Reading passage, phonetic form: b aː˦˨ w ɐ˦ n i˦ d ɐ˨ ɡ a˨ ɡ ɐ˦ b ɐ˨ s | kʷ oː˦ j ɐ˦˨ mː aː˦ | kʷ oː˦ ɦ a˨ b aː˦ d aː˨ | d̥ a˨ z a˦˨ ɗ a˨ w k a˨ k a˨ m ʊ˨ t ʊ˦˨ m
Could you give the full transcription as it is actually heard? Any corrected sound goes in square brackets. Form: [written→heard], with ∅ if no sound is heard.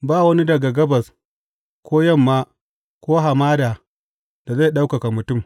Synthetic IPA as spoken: b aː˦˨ w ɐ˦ n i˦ d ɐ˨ ɡ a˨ ɡ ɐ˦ b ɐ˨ s | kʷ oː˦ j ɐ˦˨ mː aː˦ | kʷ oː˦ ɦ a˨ [b→m] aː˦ d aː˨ | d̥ a˨ z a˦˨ ɗ [a˨→a˦] w k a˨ k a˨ m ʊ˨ t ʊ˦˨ m